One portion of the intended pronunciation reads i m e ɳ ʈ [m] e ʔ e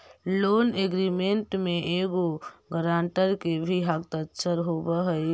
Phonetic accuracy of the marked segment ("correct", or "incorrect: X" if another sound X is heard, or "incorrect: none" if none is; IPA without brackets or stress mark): correct